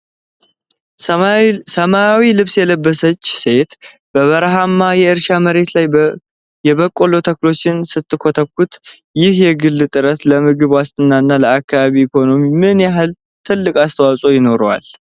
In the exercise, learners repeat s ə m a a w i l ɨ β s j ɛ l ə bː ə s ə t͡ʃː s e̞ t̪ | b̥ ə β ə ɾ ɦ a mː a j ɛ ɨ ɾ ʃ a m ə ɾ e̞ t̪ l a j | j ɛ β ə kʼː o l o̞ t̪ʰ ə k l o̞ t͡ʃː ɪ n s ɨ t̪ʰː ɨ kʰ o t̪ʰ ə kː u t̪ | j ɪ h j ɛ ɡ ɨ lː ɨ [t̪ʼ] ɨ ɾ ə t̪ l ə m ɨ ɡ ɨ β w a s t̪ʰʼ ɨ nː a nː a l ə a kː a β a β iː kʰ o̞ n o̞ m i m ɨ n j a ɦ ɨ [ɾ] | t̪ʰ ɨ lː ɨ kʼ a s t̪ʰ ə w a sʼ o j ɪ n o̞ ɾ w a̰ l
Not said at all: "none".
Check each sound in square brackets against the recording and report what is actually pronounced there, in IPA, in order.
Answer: t̪ʼ, l

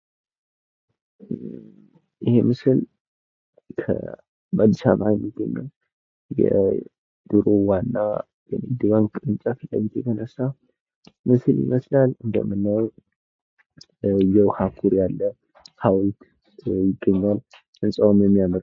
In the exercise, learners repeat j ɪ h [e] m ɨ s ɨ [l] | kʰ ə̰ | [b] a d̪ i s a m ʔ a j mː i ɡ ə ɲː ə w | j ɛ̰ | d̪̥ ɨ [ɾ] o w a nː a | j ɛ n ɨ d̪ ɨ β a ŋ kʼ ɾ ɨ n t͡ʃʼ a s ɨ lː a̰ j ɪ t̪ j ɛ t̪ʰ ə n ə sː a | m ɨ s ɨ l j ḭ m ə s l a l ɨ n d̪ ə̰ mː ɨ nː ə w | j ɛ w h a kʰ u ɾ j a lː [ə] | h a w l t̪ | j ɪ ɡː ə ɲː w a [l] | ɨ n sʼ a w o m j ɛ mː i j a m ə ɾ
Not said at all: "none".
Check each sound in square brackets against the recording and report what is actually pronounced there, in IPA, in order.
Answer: e, l, b, ɾ, ə, l

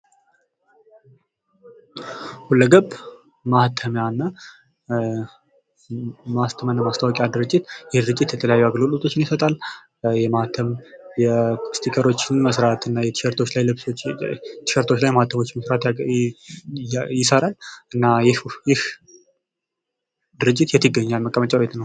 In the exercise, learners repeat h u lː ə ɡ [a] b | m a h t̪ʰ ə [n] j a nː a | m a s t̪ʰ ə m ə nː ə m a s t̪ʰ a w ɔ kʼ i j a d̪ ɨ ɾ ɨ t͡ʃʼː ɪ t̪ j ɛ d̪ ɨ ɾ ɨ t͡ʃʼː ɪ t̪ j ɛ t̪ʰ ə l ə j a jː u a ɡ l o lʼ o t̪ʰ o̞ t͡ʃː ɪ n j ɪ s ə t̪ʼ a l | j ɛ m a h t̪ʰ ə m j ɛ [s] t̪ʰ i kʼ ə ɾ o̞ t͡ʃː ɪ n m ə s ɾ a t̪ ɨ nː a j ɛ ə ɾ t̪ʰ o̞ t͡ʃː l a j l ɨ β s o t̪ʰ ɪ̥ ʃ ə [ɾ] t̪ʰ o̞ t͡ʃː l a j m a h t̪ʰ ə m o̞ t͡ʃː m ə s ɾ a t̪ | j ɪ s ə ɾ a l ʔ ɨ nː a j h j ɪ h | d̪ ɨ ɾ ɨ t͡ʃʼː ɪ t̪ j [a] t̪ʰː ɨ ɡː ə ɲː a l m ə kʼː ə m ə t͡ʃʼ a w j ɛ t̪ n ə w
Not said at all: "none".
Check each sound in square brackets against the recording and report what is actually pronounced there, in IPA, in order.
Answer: ə, m, s, ɾ, ɛ

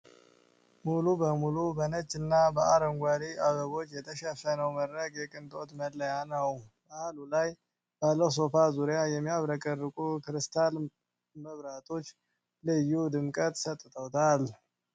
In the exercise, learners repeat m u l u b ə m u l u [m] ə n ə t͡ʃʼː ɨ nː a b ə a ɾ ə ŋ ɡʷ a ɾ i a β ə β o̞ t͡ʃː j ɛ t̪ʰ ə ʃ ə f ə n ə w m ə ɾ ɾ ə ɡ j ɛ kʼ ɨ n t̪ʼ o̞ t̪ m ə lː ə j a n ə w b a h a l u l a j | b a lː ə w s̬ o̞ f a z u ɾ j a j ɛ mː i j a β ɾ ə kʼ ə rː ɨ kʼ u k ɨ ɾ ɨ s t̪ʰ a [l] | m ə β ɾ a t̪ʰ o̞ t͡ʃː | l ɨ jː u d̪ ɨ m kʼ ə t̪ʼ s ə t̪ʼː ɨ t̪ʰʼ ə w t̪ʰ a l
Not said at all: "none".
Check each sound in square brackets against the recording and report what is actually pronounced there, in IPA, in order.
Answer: b, l

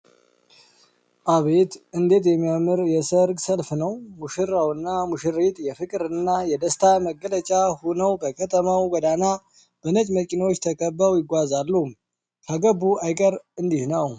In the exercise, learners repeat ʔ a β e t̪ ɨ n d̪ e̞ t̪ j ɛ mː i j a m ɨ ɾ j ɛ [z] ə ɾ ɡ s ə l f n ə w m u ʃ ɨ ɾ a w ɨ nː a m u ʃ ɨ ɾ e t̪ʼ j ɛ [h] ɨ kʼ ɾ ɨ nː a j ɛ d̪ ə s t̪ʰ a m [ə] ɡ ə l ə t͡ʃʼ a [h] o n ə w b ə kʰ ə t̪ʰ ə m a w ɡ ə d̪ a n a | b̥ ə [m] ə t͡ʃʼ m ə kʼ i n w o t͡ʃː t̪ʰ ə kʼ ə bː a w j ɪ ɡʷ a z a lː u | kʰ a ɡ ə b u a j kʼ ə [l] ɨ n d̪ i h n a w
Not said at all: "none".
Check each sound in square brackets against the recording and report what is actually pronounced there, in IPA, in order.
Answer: s, f, ə, h, n, ɾ

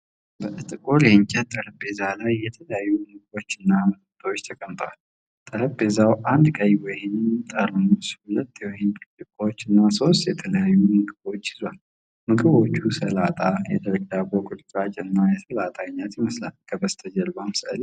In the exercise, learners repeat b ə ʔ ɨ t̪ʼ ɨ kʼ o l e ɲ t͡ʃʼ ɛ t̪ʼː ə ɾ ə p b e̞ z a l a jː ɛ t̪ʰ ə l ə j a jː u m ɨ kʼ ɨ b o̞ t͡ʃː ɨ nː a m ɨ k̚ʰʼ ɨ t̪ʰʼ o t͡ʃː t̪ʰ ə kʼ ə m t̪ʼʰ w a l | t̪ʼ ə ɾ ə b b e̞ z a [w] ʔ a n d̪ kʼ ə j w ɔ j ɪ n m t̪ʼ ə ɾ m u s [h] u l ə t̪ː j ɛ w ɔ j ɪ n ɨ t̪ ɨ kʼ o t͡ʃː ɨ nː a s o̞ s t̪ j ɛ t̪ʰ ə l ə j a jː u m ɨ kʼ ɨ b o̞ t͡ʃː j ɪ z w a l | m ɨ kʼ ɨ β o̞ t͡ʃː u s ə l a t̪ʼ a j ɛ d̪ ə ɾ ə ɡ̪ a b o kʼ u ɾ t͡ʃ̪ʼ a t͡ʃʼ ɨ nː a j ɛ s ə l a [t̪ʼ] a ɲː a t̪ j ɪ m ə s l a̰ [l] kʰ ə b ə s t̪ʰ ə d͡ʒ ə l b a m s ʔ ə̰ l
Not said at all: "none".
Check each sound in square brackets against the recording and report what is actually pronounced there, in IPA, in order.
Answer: w, h, t̪ʼ, l

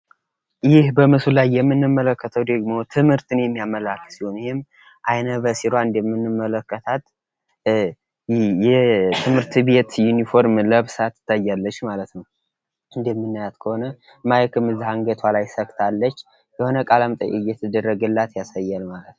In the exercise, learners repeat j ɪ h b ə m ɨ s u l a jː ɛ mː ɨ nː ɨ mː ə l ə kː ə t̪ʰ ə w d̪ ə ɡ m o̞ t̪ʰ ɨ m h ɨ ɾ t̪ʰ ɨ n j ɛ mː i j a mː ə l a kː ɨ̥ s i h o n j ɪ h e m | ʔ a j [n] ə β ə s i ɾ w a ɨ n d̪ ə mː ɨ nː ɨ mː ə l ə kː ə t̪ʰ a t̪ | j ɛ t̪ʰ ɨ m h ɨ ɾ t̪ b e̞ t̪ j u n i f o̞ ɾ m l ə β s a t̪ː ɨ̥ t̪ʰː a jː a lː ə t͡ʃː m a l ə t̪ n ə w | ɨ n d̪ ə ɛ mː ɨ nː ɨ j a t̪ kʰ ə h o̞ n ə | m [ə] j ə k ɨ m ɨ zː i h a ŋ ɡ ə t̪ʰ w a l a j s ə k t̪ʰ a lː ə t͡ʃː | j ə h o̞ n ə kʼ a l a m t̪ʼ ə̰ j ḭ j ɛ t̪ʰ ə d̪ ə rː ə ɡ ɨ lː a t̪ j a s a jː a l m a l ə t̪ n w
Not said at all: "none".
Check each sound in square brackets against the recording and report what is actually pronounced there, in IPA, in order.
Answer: n, a

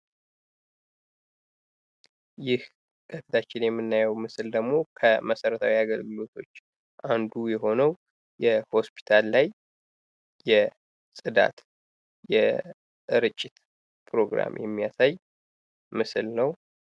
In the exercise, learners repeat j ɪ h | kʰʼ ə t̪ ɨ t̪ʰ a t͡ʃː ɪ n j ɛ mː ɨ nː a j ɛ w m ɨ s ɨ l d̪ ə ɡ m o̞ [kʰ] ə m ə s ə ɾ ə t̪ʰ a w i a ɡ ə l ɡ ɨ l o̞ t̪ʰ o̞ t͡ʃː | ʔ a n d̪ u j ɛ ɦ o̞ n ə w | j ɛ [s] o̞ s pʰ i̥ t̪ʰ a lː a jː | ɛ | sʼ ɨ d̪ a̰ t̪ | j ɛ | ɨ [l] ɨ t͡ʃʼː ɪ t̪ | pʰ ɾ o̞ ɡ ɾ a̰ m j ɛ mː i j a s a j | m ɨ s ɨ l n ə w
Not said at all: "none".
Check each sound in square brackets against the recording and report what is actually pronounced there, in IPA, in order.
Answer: kʰ, h, ɾ

